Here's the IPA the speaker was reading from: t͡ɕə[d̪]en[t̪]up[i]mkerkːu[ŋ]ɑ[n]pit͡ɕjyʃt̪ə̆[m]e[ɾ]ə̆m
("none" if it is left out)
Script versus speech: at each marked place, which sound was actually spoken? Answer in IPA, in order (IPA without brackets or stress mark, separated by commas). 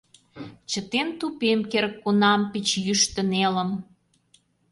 t̪, t̪, e, n, m, n, l